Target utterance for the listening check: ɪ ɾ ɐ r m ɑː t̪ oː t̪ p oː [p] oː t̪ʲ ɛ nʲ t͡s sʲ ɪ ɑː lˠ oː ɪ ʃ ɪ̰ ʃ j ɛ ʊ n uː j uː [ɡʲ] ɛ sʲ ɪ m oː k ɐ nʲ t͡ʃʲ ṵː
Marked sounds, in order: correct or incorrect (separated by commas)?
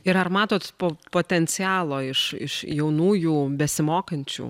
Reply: correct, incorrect